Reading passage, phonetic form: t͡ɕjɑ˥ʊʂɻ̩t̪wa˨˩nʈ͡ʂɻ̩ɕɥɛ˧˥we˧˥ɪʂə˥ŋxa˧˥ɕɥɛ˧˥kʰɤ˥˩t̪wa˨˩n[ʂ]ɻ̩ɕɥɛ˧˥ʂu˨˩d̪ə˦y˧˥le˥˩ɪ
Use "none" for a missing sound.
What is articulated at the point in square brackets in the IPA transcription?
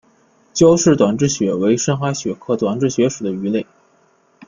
ʈ͡ʂ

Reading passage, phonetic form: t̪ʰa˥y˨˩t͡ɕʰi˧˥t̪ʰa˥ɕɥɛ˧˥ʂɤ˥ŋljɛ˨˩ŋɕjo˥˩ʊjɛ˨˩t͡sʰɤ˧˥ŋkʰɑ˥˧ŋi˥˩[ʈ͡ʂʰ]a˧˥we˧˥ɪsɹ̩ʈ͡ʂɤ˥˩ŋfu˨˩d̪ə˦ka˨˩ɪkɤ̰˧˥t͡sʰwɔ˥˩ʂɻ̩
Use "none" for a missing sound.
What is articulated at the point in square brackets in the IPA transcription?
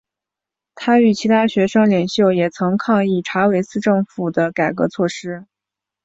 ʈ͡ʂʰ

